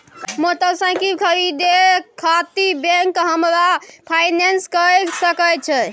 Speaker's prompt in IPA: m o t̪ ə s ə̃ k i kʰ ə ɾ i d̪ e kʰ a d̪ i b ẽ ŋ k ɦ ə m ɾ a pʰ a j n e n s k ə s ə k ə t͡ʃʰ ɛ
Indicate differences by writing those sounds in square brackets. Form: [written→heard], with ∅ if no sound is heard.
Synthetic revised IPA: m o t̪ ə s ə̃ k i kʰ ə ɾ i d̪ e kʰ a [d̪→t̪] i b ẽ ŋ k ɦ ə m ɾ a pʰ a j n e n s k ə s ə k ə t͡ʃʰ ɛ